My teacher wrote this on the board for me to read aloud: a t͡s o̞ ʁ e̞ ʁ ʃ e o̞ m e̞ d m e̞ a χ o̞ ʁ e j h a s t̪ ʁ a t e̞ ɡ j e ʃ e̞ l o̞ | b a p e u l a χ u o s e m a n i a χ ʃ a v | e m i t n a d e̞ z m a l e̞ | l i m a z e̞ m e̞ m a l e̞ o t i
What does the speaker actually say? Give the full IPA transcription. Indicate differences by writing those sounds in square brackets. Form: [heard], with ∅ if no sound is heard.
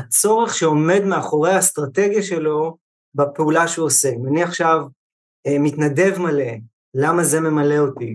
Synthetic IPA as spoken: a t͡s o̞ ʁ e̞ [χ] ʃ e o̞ m e̞ d m e̞ a χ o̞ ʁ e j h a s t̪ ʁ a t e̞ ɡ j [a] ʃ e̞ l o̞ | b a p e u l a [ʃ] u o s e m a n i a χ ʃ a v | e m i t n a d e̞ [v] m a l e̞ | l [a] m a z e̞ m e̞ m a l e̞ o t i